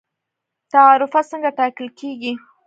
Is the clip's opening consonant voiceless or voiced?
voiceless